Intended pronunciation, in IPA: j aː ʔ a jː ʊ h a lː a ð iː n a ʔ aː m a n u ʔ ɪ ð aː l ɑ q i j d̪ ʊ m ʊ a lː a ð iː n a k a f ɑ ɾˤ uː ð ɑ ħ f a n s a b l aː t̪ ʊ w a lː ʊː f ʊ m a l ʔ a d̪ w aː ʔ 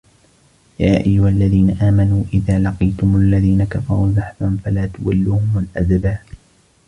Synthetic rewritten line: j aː ʔ a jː ʊ h a lː a ð iː n a ʔ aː m a n uː ʔ ɪ ð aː l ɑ q i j t̪ ʊ m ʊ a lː a ð iː n a k a f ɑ ɾˤ uː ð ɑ ħ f a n f a l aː t̪ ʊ w a lː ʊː h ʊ m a l ʔ a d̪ b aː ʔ

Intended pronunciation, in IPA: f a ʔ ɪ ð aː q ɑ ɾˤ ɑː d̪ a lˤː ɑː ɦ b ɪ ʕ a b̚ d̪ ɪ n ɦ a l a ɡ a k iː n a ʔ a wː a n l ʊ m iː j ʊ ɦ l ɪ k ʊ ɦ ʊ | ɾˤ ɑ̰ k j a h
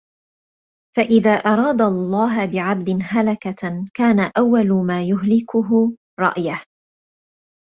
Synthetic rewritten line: f a ʔ ɪ ð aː ʔ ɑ ɾˤ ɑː d̪ a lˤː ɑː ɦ b ɪ ʕ a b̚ d̪ ɪ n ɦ a l a k a k aː n a ʔ a wː a l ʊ m aː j ʊ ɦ l ɪ k ʊ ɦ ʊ | ɾˤ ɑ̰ ʔ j a h

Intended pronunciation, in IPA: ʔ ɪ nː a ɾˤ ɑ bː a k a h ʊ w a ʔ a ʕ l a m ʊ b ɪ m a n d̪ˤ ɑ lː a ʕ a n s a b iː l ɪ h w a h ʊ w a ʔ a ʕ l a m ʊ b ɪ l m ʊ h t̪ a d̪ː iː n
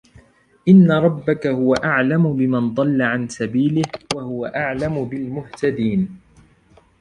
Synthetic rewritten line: ʔ ɪ nː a ɾˤ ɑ bː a k a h ʊ w a ʔ a ʕ l a m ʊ b ɪ m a n d̪ˤ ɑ lː a ʕ a n s a b iː l ɪ h w a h ʊ w a ʔ a ʕ l a m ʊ b ɪ l m ʊ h t̪ a d̪ iː n

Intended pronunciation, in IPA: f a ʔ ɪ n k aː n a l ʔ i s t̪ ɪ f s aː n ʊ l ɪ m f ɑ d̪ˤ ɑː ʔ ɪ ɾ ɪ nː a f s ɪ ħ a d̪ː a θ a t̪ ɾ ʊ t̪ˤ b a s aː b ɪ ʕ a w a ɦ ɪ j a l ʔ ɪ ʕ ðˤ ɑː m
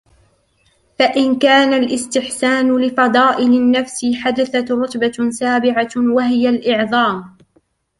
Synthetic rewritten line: f a ʔ ɪ n k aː n a l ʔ ɪ s t̪ ɪ ħ s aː n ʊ l ɪ f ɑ d̪ˤ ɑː ʔ ɪ l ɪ nː a f s ɪ ħ a d̪ a θ a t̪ ɾ ʊ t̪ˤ b a s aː b ɪ ʕ a w a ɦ ɪ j a l ʔ ɪ ʕ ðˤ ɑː m

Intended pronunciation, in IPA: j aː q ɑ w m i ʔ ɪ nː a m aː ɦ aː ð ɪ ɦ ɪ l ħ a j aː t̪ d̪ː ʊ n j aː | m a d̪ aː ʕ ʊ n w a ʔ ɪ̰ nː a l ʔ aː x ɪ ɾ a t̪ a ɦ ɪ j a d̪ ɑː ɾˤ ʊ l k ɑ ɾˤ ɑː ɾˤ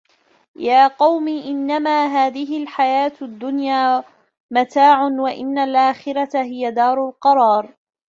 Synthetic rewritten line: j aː q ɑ w m i ʔ ɪ nː a m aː ɦ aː ð ɪ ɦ ɪ l ħ a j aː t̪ d̪ː ʊ n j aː | m a t̪ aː ʕ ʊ n w a ʔ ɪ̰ nː a l ʔ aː x ɪ ɾ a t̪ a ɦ ɪ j a d̪ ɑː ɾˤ ʊ l q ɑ ɾˤ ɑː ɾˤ

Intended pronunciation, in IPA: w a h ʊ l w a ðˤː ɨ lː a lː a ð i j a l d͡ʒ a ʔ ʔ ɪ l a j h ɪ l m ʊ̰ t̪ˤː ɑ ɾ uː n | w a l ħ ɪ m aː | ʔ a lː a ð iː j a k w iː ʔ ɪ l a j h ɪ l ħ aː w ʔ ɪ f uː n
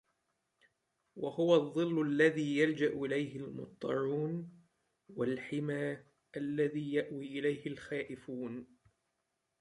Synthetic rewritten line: w a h ʊ w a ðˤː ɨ lː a lː a ð iː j a l d͡ʒ a ʔ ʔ ɪ l a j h ɪ l m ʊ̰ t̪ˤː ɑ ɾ uː n | w a l ħ ɪ m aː | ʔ a lː a ð iː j a ʔ w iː ʔ ɪ l a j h ɪ l x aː ʔ ɪ f uː n

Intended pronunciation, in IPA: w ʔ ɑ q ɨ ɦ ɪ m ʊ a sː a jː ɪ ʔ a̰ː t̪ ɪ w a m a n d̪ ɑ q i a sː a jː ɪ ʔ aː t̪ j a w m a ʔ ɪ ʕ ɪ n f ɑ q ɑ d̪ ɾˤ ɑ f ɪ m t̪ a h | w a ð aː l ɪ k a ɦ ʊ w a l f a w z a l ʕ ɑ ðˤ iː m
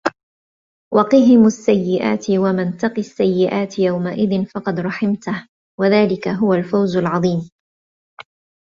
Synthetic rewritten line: w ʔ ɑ q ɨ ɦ ɪ m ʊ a sː a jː ɪ ʔ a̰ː t̪ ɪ w a m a n t̪ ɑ q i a sː a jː ɪ ʔ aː t̪ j a w m a ʔ ɪ ð ɪ n f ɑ q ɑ d̪ ɾˤ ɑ ħ ɪ m t̪ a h | w a ð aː l ɪ k a ɦ ʊ w a l f a w z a l ʕ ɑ ðˤ iː m

